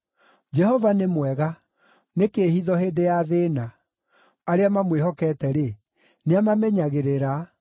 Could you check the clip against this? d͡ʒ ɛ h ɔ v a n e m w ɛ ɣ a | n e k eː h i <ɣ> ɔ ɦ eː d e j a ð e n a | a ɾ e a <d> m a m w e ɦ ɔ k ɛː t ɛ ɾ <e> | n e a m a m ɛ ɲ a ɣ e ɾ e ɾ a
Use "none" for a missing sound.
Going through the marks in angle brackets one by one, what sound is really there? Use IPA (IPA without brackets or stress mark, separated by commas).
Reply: ð, none, e